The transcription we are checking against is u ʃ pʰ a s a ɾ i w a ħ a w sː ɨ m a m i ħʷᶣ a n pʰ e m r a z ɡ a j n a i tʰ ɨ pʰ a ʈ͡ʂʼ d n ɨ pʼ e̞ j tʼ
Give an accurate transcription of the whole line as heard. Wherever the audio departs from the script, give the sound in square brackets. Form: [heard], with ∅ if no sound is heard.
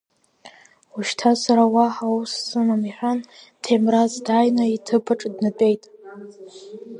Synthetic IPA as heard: u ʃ [tʰ] a s a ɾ [a] w a ħ a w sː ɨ m a m i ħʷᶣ a n [tʰ] e m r a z [d] a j n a i tʰ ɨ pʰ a ʈ͡ʂʼ d n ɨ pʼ e̞ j tʼ

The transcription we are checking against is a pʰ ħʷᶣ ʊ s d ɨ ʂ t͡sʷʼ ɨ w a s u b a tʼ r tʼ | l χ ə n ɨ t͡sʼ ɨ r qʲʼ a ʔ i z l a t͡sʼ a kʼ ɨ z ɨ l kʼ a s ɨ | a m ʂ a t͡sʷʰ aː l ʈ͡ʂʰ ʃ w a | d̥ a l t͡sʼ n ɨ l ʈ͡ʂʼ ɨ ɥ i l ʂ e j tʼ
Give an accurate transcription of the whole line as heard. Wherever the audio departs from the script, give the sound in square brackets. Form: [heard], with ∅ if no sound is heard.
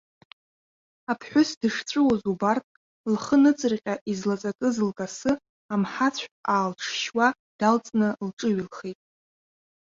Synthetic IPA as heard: a pʰ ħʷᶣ ʊ s d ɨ ʂ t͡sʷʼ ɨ w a [z] u b a [∅] r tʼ | l χ ə n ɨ t͡sʼ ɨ r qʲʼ a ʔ i z l a t͡sʼ a kʼ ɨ z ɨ l kʼ a s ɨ | a m [ħ] a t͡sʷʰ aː l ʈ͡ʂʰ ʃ w a | d̥ a l t͡sʼ n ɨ l ʈ͡ʂʼ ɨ ɥ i l [χ] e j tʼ

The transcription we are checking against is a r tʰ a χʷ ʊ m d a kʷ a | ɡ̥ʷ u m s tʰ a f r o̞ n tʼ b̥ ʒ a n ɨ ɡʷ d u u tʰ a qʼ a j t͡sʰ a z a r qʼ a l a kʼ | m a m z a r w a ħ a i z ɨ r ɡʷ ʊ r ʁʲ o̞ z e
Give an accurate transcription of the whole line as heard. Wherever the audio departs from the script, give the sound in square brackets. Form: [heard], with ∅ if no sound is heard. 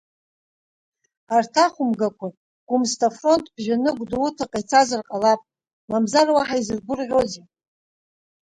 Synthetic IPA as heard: a r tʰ a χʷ ʊ m [ɡ] a kʷ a | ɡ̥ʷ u m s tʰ a f r o̞ n tʼ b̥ ʒ a n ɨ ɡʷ d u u tʰ a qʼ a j t͡sʰ a z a r qʼ a l a [pʼ] | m a m z a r w a ħ a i z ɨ r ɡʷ ʊ r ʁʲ o̞ z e

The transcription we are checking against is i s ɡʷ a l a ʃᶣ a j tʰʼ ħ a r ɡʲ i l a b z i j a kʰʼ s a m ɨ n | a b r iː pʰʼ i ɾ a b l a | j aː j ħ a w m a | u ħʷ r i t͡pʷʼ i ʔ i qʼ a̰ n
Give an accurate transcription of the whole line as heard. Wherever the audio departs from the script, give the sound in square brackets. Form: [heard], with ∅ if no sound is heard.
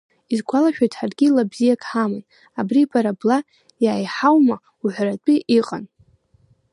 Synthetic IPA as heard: i [z] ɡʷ a l a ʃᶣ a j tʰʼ ħ a r ɡʲ i l a b z i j a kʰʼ [ħ] a m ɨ n | a b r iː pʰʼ [a] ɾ a b l a | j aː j ħ a w m a | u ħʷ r [a] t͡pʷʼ i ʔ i qʼ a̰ n

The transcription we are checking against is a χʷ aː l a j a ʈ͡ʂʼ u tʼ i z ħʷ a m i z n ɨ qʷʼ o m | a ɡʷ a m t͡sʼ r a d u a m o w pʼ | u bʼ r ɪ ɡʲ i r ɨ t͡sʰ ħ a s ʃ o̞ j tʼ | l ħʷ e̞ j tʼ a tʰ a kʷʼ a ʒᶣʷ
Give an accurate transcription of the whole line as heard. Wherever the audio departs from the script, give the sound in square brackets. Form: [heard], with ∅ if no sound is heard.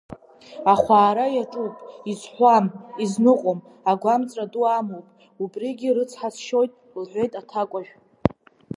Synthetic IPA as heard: a χʷ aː [ɾ] a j a ʈ͡ʂʼ u [pʼ] i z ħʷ a m i z n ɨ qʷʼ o m | a ɡʷ a m t͡sʼ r a d u a m o w pʼ | u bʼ r [i] ɡʲ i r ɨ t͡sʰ ħ a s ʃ o̞ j tʼ | l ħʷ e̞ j tʼ a tʰ a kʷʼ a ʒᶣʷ

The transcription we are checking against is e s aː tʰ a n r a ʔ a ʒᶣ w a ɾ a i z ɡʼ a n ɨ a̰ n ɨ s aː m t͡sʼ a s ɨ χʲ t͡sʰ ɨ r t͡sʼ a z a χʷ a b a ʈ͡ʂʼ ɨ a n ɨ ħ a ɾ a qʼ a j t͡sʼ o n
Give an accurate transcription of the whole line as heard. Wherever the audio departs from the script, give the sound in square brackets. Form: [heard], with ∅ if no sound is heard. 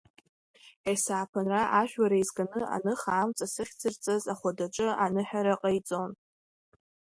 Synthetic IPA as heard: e s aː [pʰ] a n r a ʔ a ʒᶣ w a ɾ a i z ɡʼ a n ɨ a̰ n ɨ [χ] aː m t͡sʼ a s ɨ χʲ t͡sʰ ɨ r t͡sʼ a z a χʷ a [d] a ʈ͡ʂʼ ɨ a n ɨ ħ a ɾ a qʼ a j t͡sʼ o n

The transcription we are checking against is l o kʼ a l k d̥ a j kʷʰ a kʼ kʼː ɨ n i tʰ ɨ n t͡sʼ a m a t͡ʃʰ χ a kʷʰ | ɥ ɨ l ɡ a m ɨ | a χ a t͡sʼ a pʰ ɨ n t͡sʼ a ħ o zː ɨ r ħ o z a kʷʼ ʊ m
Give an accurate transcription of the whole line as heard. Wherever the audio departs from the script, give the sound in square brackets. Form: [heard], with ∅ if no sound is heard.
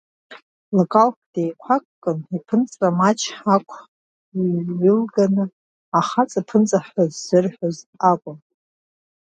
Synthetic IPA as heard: l o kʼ a l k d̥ [e] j kʷʰ a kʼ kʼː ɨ n i [pʰ] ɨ n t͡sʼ a m a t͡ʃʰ [ħ] a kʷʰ | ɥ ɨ l ɡ a [n] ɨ | a χ a t͡sʼ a pʰ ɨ n t͡sʼ a ħ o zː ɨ r ħ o z a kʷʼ ʊ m

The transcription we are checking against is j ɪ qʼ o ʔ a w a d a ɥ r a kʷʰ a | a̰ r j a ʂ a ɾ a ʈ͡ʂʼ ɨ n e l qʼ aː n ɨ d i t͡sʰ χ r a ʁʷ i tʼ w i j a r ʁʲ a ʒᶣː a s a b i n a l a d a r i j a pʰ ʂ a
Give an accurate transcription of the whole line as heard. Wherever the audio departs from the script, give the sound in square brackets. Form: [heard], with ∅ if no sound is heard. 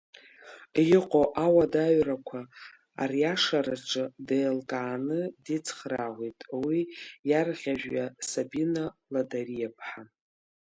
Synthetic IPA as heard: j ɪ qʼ o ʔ a w a d a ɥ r a kʷʰ a | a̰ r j a ʂ a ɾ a ʈ͡ʂʼ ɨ [d] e l [kʼ] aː n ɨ d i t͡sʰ χ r a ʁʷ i tʼ w i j a r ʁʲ a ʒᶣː a s a b i n a l a d a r i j a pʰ [ħ] a

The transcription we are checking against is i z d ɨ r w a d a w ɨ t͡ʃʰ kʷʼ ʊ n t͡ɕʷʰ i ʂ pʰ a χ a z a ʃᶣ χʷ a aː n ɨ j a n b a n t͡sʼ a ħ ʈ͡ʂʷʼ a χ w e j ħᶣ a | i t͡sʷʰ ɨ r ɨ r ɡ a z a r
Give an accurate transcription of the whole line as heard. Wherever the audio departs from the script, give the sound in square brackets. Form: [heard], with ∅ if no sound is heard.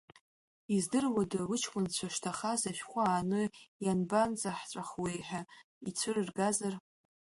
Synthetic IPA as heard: i z d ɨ r w a d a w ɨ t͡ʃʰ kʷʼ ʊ n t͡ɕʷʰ [a] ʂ [tʰ] a χ a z a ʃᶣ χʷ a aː n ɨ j a n b a n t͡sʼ a ħ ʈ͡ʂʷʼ a χ w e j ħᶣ a | i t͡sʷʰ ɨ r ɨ r ɡ a z a r

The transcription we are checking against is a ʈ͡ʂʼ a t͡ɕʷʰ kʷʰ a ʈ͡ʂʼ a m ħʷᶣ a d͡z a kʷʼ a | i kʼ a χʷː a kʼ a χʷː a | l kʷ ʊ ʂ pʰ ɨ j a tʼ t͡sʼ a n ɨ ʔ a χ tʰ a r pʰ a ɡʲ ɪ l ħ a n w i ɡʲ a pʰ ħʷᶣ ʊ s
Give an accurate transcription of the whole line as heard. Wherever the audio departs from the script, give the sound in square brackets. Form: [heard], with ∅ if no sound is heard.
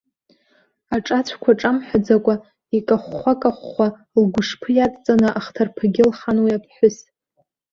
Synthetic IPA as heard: a ʈ͡ʂʼ a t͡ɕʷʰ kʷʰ a ʈ͡ʂʼ a m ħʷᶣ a d͡z a kʷʼ a | i kʼ a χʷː a kʼ a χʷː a | l [ɡʷ] ʊ ʂ pʰ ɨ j a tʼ t͡sʼ a n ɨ ʔ a χ tʰ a r pʰ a ɡʲ ɪ l [χ] a n w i [∅] a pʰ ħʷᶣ ʊ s

